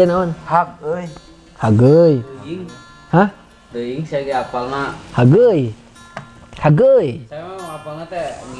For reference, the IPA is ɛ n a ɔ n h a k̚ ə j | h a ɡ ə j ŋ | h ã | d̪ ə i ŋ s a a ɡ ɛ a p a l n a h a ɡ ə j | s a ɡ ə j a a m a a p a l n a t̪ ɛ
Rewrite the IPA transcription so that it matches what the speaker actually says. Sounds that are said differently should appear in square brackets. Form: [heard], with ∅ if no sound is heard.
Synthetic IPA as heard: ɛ n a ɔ n h a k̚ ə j | h a ɡ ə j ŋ | h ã | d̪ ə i ŋ s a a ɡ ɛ a p a l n a h a ɡ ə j | [h] a ɡ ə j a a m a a p a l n a t̪ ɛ